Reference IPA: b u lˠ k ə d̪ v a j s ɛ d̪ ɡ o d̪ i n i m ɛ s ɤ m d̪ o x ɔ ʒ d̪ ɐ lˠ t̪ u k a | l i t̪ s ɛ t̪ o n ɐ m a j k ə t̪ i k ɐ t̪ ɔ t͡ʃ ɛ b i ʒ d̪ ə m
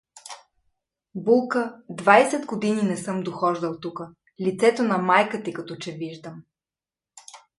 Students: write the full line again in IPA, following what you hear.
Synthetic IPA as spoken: b u lˠ k ə d̪ v a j s ɛ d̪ ɡ o d̪ i n i n ɛ s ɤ m d̪ o x ɔ ʒ d̪ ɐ lˠ t̪ u k ə | l i t̪ s ɛ t̪ o n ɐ m a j k ə t̪ i k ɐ t̪ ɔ t͡ʃ ɛ v i ʒ d̪ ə m